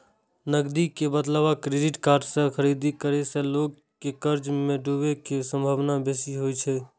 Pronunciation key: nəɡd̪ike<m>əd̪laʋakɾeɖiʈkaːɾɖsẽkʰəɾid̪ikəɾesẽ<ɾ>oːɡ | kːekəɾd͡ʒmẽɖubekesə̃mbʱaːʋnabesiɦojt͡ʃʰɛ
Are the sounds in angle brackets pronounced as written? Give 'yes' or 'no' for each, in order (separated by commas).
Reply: no, no